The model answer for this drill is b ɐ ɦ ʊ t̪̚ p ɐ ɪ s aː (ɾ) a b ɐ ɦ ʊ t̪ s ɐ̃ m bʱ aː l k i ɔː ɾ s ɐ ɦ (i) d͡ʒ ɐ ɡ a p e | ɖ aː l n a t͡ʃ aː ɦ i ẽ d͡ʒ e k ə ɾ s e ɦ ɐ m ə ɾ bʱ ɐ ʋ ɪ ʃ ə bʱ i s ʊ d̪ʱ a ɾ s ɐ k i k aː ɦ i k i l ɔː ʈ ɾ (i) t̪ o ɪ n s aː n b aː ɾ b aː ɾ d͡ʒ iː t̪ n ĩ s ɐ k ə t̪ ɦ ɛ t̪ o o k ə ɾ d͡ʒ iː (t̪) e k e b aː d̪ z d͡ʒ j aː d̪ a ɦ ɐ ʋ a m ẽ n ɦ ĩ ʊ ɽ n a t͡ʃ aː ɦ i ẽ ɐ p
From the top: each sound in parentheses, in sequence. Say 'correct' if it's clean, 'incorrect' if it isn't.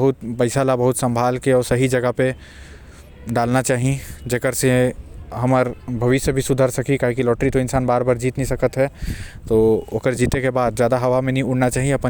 incorrect, correct, correct, correct

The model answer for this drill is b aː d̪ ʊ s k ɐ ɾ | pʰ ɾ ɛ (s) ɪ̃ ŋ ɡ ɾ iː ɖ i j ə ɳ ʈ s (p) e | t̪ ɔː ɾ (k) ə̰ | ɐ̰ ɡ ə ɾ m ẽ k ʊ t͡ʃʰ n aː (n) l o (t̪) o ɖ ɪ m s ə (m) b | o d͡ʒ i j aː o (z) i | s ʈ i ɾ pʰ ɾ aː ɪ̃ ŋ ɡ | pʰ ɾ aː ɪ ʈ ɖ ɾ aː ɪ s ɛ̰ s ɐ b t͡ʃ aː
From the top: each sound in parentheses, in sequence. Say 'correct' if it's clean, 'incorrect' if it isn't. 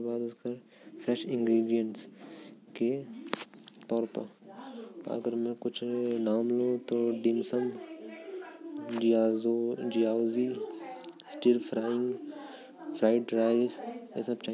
incorrect, incorrect, incorrect, incorrect, correct, correct, correct

